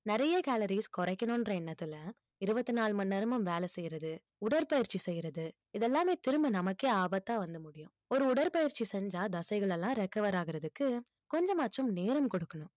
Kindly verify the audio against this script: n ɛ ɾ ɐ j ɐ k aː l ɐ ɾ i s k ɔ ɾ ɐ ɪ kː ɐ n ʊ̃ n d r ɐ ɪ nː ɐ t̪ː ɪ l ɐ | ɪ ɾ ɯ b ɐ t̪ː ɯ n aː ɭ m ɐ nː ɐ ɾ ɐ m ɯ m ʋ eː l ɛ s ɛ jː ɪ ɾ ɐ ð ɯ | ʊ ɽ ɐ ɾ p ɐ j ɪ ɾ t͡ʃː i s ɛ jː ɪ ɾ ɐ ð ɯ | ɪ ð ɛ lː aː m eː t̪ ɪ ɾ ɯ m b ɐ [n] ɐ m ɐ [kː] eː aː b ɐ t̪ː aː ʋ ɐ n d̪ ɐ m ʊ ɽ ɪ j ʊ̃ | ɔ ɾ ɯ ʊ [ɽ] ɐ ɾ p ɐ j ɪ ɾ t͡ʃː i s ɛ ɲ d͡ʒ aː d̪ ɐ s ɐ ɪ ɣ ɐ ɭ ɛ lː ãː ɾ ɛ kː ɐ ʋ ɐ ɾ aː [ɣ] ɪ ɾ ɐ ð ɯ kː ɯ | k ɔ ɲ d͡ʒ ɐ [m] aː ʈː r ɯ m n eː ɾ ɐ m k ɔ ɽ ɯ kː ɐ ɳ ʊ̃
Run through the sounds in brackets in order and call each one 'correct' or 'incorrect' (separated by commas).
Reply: correct, correct, correct, correct, correct